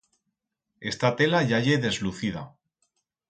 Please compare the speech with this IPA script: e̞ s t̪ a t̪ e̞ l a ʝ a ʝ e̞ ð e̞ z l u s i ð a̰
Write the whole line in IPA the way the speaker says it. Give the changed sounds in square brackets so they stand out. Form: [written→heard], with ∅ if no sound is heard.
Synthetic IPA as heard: e̞ s t̪ a t̪ e̞ l a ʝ a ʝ e̞ ð e̞ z l u [s→θ] i ð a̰